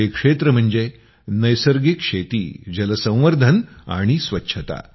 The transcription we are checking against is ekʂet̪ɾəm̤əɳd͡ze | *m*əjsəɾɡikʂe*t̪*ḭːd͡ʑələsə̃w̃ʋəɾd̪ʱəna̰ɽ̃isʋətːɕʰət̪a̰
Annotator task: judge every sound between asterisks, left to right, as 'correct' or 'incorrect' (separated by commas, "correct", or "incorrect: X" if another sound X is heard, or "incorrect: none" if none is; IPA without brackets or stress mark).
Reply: incorrect: n, correct